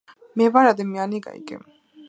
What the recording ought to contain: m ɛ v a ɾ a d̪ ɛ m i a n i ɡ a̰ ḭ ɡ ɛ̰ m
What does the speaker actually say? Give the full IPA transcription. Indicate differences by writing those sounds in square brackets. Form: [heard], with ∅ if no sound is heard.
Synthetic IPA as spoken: m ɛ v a ɾ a d̪ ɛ m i a n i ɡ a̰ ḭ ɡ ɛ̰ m